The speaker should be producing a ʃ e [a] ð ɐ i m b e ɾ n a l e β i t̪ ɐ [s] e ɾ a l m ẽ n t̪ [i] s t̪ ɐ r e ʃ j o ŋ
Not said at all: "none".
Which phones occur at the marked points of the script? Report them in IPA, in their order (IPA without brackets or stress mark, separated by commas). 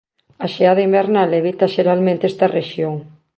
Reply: a, ʃ, e